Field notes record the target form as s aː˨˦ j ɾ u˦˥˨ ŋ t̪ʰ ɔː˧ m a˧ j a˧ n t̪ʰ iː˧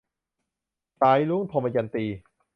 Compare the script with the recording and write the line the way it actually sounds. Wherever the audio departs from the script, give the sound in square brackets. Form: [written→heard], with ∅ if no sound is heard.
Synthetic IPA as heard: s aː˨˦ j [ɾ→l] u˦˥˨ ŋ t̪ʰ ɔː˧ m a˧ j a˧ n [t̪ʰ→t̪] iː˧